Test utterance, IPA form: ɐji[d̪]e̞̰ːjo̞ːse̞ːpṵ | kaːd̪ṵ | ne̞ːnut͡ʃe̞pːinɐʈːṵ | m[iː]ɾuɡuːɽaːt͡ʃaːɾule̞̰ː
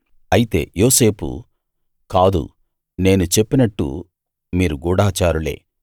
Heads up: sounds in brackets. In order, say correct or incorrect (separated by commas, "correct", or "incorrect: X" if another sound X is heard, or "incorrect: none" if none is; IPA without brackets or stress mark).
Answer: incorrect: t̪, correct